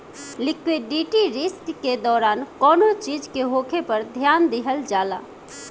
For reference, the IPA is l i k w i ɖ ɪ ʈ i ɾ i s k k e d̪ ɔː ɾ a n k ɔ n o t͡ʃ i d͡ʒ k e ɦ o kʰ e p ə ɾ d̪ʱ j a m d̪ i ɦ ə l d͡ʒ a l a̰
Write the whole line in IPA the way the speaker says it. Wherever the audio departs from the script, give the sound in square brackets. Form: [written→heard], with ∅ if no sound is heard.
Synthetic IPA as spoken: l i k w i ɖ [ɪ→i] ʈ i ɾ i s k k e d̪ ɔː ɾ a n k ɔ n o t͡ʃ i d͡ʒ k e ɦ o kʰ e p ə ɾ d̪ʱ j a [m→n] d̪ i ɦ ə l d͡ʒ a l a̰